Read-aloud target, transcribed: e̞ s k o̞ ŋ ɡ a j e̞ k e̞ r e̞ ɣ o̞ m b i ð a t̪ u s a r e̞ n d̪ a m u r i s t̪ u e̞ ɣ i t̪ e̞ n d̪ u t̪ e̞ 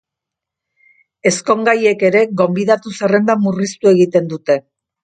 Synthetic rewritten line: e̞ s k o̞ ŋ ɡ a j e̞ k e̞ ɾ e̞ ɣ o̞ m b i ð a t̪ u s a r e̞ n d̪ a m u r i s t̪ u e̞ ɣ i t̪ e̞ n d̪ u t̪ e̞